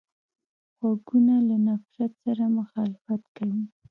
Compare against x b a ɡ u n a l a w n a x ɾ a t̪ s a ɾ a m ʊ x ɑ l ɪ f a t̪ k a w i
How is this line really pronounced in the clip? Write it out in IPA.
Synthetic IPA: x w a ɡ u n a l a n a f ɾ a t̪ s a ɾ a m ʊ x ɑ l ɪ f a t̪ k a w i